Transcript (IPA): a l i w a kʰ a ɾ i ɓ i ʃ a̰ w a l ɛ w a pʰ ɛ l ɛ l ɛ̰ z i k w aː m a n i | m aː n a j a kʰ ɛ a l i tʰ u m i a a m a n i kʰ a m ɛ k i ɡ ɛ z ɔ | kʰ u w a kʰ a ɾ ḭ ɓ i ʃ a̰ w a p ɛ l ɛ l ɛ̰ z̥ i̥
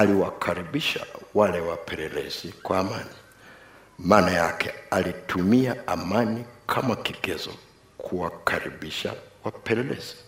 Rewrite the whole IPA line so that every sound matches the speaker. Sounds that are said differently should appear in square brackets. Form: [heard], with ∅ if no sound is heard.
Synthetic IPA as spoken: a l i w a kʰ a ɾ i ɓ i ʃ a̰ w a l ɛ w a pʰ ɛ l ɛ l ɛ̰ z i k w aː m a n i | m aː n a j a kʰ ɛ a l i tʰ u m i a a m a n i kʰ a m [a] k i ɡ ɛ z ɔ | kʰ u w a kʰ a ɾ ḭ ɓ i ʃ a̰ w a p ɛ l ɛ l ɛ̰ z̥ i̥